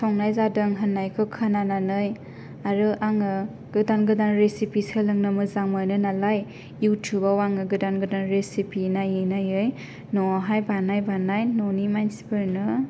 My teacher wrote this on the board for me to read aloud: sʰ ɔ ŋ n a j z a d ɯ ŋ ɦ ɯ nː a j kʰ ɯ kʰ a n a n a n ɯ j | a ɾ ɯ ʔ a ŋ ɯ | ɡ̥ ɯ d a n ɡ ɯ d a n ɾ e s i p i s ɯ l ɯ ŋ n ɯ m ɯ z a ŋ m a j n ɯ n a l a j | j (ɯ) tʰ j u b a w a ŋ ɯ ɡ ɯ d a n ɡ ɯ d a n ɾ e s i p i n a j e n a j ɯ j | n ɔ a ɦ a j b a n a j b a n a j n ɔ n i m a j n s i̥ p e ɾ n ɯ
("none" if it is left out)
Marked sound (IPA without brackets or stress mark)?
u